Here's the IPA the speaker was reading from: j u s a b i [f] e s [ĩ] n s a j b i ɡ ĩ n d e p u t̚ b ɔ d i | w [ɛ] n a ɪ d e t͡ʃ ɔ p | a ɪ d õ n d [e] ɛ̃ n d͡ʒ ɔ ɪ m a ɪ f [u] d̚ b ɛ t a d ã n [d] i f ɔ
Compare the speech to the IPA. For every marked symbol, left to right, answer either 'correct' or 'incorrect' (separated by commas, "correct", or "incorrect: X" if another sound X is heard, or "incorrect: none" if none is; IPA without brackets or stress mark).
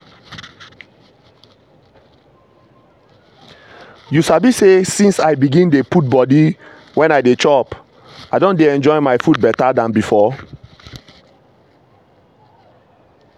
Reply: incorrect: s, correct, incorrect: ɛ̃, correct, correct, incorrect: b